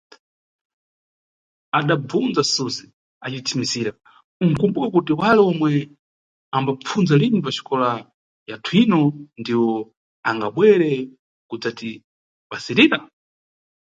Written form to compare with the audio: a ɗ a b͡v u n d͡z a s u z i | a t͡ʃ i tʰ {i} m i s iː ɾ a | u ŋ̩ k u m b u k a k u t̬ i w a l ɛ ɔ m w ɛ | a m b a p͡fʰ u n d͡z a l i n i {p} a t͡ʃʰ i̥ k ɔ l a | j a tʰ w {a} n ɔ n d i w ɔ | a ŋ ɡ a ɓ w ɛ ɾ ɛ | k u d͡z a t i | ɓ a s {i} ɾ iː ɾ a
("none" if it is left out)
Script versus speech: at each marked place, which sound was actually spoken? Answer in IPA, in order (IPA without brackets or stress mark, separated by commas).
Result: i, p, i, i